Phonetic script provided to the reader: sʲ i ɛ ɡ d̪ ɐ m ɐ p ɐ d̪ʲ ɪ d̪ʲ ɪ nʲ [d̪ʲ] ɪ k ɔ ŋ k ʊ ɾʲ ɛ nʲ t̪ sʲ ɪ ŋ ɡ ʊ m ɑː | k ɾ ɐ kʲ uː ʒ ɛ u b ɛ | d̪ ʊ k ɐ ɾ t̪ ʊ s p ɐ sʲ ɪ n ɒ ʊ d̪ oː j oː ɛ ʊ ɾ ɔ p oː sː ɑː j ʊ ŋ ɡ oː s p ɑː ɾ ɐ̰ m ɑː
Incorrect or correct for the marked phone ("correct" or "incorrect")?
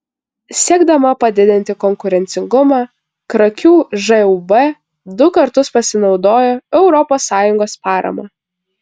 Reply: incorrect